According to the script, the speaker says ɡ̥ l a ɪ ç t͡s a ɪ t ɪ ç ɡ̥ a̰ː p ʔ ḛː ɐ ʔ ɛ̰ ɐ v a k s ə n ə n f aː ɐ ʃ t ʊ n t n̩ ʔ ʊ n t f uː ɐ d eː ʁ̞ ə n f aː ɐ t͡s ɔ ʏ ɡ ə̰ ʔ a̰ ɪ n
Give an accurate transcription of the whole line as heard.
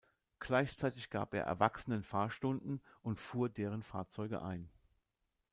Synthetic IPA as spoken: ɡ̥ l a ɪ ç t͡s a ɪ t ɪ ç ɡ̥ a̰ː p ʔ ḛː ɐ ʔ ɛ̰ ɐ v a k s ə n ə n f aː ɐ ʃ t ʊ n d n̩ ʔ ʊ n t f uː ɐ d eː ʁ̞ ə n f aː ɐ t͡s ɔ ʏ ɡ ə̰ ʔ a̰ ɪ n